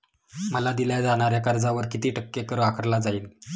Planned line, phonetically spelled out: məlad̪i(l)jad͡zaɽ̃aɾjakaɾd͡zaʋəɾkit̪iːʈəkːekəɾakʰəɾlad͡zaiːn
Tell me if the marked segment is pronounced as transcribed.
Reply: yes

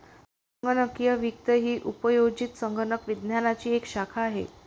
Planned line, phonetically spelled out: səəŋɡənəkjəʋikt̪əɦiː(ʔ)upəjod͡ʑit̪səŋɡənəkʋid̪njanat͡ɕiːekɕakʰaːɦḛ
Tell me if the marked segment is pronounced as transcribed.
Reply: yes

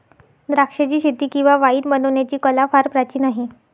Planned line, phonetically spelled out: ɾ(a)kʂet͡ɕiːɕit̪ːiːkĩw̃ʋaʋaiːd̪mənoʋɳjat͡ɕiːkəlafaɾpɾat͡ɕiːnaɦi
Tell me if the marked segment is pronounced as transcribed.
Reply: yes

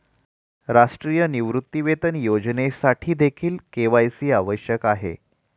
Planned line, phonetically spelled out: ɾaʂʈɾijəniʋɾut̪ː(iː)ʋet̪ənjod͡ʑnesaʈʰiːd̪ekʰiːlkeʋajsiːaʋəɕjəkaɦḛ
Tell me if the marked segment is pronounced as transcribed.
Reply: no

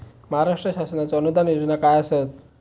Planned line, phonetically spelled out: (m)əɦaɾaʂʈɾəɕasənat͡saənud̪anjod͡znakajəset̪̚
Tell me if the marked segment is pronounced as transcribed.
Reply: yes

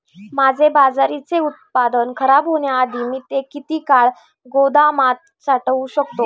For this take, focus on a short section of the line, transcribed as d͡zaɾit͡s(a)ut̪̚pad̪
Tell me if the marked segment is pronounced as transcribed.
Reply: no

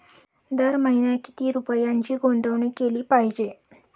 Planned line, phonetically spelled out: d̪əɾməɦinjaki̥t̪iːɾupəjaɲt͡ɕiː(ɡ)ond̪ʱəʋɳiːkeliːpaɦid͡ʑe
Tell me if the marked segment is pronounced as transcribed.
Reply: yes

